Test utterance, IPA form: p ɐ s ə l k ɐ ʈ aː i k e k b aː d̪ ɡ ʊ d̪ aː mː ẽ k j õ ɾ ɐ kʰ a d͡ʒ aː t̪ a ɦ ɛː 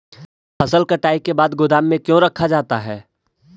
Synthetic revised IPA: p ɐ s ə l k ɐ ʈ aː i k e b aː d̪ ɡ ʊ d̪ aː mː ẽ k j õ ɾ ɐ kʰ a d͡ʒ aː t̪ a ɦ ɛː

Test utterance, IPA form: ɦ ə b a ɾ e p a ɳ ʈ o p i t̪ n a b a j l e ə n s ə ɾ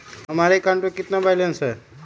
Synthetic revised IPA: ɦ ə m a ɾ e k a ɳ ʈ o k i t̪ n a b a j l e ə n s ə ɾ

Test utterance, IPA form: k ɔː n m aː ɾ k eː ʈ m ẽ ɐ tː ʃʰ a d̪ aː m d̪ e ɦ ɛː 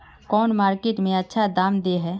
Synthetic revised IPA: k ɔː n m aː ɾ k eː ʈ m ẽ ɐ tː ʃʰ a d̪ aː m d̪ e ɦ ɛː

